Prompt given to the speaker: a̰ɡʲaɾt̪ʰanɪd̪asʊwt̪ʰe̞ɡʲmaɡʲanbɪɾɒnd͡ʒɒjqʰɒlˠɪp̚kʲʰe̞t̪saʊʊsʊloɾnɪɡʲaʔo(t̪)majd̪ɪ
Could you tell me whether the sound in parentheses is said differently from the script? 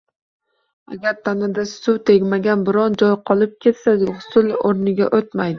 no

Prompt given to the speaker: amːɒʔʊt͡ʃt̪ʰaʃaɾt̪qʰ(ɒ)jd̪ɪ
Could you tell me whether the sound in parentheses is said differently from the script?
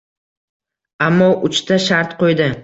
yes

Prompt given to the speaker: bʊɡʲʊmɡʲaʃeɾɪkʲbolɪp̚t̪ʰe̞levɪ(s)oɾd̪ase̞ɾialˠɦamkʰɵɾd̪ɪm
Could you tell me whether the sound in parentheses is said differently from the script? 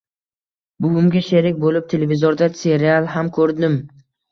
yes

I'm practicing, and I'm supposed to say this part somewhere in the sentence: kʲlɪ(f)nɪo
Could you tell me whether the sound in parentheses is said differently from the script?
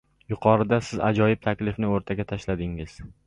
no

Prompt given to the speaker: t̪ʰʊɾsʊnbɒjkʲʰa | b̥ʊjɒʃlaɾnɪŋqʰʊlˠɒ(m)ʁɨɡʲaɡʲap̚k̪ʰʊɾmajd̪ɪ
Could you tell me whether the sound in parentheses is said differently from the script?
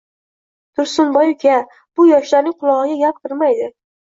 yes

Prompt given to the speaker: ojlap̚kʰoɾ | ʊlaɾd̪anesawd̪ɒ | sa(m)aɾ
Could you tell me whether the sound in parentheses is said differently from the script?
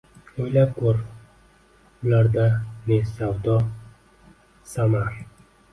no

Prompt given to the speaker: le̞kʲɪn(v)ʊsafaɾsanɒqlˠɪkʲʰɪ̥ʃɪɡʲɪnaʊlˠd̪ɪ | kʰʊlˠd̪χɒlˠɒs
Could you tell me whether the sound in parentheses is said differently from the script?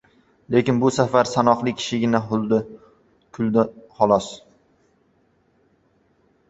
yes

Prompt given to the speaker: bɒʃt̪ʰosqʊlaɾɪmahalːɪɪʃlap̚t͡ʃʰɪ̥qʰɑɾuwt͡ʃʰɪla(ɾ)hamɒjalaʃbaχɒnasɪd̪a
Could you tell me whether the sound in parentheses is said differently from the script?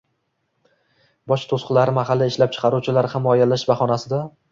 no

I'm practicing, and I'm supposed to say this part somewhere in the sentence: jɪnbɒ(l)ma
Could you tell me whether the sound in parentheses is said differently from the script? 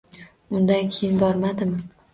yes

